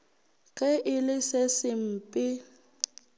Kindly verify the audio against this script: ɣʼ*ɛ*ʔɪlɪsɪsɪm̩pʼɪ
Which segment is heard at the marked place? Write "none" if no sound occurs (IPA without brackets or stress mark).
ɛ